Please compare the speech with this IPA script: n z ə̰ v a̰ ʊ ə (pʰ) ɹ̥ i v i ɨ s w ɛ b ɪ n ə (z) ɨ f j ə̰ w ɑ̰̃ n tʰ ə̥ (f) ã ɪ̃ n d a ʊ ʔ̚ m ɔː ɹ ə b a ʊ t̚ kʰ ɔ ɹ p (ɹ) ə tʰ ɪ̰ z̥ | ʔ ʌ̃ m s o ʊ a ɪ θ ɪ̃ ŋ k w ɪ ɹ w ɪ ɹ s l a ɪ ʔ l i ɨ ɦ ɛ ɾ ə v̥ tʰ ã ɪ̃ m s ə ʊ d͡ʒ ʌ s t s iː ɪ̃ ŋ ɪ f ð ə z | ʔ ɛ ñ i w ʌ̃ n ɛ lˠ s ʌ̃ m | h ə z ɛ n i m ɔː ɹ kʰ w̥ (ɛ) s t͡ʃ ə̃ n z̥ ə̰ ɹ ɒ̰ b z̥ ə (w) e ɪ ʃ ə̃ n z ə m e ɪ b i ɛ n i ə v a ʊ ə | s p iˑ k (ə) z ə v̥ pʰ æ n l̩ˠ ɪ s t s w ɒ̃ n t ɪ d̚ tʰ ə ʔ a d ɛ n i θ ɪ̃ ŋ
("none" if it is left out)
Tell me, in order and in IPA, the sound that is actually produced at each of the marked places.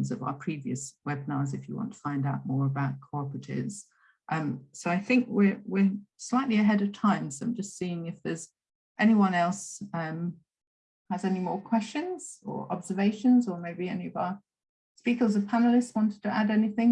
pʰ, z, f, ɹ, ɛ, v, ə

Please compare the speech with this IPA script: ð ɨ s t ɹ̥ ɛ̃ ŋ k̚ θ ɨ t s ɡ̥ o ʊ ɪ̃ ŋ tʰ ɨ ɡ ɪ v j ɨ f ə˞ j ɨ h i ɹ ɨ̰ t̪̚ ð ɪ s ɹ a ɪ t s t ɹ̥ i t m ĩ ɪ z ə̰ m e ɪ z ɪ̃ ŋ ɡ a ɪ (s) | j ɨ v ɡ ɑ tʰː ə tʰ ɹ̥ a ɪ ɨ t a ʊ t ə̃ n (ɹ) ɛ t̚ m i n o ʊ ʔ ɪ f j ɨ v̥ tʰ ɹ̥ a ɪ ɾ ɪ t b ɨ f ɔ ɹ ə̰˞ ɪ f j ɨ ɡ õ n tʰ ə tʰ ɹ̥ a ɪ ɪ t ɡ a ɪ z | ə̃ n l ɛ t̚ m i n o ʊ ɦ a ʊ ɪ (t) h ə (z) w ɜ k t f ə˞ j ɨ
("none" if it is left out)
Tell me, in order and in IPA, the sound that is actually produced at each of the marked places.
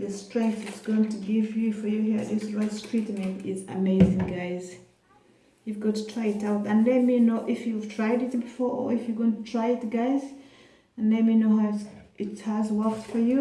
z, l, t, z

